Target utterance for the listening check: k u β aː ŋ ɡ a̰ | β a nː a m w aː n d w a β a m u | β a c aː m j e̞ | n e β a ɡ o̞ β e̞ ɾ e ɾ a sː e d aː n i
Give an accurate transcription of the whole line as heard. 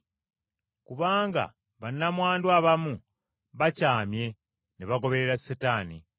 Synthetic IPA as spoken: k u β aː ŋ ɡ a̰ | β a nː a m w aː n d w a β a m u | β a c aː m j e̞ | n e β a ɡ o̞ β e̞ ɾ e ɾ a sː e t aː n i